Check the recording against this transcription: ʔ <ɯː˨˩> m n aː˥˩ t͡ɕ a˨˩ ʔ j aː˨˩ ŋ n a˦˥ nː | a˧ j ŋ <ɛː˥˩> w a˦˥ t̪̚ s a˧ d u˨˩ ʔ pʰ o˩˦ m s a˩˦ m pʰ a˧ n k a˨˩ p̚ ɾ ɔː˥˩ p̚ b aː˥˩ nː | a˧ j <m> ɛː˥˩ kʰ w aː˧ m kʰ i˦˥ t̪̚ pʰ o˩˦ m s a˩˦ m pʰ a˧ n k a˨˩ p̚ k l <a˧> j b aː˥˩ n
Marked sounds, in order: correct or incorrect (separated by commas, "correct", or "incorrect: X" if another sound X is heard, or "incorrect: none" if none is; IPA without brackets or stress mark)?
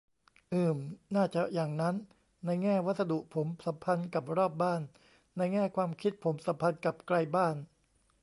correct, correct, incorrect: ŋ, correct